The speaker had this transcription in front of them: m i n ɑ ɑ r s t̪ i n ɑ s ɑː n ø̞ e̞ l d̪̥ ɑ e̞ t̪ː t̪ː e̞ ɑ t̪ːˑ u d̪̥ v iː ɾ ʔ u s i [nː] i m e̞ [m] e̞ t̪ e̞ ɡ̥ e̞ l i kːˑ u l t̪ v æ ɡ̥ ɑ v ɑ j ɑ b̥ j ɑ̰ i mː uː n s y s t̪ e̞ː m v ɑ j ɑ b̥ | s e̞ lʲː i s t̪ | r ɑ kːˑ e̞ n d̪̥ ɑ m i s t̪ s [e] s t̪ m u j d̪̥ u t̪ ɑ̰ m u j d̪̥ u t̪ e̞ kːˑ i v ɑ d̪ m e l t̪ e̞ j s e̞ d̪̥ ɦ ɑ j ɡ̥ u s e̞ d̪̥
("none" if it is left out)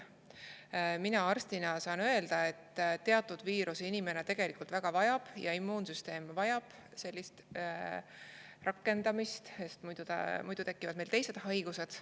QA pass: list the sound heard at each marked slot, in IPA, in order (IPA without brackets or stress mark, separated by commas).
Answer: n, n, e